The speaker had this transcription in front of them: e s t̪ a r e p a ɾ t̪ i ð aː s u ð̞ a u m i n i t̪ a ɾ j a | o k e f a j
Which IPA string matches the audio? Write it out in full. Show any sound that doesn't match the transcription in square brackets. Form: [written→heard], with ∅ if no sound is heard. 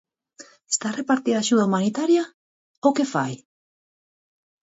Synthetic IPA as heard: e s t̪ a r e p a ɾ t̪ i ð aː [s→ʃ] u ð̞ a u m [i→a] n i t̪ a ɾ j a | o k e f a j